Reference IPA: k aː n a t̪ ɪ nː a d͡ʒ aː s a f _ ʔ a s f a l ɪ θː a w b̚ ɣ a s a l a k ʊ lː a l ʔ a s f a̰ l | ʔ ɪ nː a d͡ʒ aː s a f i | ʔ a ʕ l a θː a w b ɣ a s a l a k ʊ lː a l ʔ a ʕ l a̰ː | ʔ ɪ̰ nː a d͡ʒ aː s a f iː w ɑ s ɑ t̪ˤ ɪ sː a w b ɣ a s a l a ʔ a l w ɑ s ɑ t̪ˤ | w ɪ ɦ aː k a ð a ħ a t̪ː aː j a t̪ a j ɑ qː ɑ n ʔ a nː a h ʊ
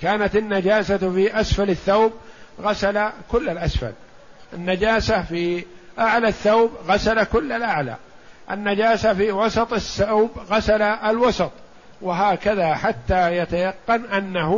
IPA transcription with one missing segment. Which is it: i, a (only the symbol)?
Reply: i